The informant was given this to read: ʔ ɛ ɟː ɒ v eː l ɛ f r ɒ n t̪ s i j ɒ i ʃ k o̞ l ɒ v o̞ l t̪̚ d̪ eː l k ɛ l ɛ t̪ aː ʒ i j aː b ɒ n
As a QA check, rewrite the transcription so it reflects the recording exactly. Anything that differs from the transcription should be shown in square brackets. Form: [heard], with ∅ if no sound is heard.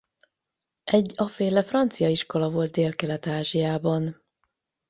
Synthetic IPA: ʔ ɛ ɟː ɒ [f] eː l ɛ f r ɒ n t̪ s i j ɒ i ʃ k o̞ l ɒ v o̞ l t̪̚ d̪ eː l k ɛ l ɛ t̪ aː ʒ i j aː b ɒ n